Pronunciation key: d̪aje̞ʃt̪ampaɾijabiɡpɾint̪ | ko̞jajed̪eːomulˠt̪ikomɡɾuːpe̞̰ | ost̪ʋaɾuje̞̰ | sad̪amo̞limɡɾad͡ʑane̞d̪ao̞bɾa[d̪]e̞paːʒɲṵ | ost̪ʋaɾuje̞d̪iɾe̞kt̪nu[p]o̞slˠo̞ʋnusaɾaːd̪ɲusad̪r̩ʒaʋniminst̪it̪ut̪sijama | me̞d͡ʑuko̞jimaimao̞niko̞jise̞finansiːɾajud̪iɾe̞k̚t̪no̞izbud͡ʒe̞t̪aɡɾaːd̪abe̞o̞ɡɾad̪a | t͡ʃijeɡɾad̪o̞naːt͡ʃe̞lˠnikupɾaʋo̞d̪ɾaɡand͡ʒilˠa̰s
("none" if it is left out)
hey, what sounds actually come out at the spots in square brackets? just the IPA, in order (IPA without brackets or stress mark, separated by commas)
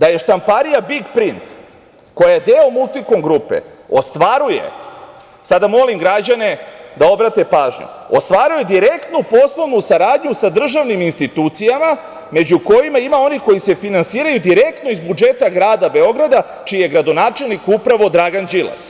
t̪, p